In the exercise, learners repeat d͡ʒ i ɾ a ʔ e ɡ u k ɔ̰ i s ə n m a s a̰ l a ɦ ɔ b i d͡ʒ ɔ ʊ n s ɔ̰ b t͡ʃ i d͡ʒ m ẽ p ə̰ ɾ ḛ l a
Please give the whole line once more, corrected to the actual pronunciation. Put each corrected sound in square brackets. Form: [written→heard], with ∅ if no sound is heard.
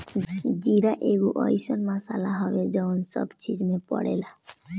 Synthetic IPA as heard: d͡ʒ i ɾ a ʔ e ɡ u [k→ʔ] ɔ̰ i s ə n m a s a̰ l a ɦ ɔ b [i→e] d͡ʒ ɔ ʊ n s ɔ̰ b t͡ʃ i d͡ʒ m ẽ p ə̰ [ɾ→ɽ] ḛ l a

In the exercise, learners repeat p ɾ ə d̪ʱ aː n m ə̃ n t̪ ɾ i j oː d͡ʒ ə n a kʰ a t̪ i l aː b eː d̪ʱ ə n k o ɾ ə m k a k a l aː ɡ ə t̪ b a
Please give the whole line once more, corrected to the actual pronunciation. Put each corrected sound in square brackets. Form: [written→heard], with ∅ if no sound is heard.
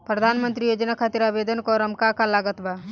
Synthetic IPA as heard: p ɾ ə d̪ʱ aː n m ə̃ n t̪ ɾ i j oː d͡ʒ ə n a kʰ a t̪ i [l→ɾ] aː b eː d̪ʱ ə n k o ɾ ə m k a k a l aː ɡ ə t̪ b a

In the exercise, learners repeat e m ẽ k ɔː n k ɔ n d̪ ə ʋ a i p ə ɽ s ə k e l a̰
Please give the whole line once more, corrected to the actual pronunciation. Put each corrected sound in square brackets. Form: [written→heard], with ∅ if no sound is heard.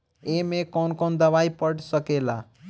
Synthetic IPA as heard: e m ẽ k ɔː n k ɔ n d̪ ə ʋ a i p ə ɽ s ə k e l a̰

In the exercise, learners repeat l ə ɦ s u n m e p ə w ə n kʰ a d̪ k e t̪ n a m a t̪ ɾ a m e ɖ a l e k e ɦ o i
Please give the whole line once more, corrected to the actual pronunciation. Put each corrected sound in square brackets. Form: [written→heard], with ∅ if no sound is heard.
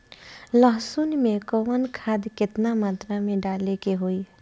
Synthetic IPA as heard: l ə ɦ s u n m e [p→k] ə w ə n kʰ a d̪ k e t̪ n a m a t̪ ɾ a m e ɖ a l e k e ɦ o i

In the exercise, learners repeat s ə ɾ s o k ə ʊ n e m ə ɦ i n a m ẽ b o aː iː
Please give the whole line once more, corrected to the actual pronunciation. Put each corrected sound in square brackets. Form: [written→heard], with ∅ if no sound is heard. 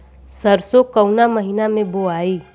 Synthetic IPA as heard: s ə ɾ s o k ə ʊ n [e→a] m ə ɦ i n a m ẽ b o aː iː

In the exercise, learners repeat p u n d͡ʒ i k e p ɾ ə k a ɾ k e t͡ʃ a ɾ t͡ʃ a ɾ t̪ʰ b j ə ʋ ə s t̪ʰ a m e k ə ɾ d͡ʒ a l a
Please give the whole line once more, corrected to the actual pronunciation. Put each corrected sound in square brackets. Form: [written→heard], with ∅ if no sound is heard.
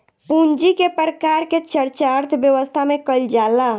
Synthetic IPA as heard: p u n d͡ʒ i k e p ɾ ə k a ɾ k e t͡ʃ [a→ə] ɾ t͡ʃ a ɾ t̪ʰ b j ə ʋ ə s t̪ʰ a m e k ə [ɾ→l] d͡ʒ a l a

